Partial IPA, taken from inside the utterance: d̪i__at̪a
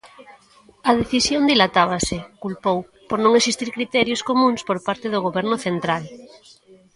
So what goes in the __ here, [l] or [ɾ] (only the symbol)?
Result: l